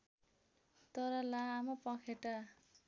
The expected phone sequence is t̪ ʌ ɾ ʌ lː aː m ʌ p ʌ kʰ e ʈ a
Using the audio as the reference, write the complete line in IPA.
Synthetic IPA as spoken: t̪ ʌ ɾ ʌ l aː m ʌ p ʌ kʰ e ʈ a

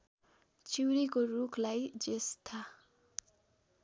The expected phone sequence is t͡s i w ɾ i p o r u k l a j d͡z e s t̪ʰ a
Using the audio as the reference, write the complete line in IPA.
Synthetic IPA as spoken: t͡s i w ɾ i k o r u kʰ l a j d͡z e s t̪ʰ a

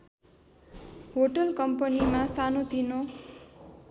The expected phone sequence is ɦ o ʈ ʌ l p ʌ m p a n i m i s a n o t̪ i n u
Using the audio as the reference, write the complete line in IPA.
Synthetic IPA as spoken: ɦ o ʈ ʌ l k ʌ m p ʌ n i m a s a n o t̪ i n o

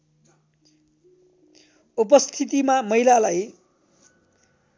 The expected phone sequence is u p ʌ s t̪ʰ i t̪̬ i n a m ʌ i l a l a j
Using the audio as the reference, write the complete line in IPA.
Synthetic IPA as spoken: u p ʌ s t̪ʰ i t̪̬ i m a m ʌ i l a l a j

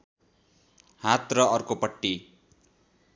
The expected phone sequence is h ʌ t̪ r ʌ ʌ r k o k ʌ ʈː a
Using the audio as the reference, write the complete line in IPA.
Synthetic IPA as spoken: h a t̪ r ʌ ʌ r k o p ʌ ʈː i

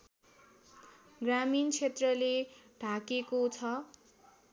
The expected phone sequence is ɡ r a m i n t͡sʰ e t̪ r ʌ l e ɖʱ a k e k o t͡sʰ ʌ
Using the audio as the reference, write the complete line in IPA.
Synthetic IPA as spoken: ɡ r a m i n t͡sʰ e t̪ r ʌ l e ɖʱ a k e k o t͡sʰ ʌ

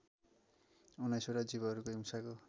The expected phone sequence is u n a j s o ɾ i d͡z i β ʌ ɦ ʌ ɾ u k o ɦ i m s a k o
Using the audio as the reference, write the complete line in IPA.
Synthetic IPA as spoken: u n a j s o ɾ a d͡z i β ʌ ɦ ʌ ɾ u k o ɦ i m s a k o

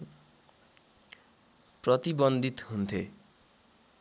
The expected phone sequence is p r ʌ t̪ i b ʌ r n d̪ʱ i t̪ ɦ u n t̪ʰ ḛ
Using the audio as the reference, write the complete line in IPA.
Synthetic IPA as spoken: p r ʌ t̪ i b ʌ n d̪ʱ i t̪ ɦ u n t̪ʰ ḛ

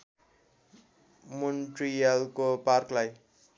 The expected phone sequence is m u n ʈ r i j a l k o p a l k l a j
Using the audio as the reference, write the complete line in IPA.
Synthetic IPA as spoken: m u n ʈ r i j a l k o p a r k l a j

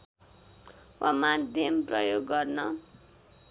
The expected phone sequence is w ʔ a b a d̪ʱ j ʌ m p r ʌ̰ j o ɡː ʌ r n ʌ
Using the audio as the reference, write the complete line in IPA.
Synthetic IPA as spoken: w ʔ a m a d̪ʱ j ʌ m p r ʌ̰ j o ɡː ʌ r n ʌ

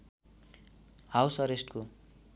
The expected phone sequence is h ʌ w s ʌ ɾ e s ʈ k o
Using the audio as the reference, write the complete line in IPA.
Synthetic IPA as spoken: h a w s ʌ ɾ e s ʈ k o

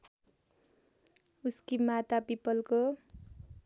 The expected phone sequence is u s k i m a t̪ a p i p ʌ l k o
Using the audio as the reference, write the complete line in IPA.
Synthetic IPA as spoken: u s k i m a t̪ a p i p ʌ l k o

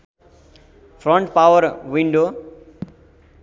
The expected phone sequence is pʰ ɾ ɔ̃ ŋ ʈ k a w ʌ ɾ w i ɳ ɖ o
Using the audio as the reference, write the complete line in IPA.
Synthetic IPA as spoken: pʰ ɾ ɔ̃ ɳ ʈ p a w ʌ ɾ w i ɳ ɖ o

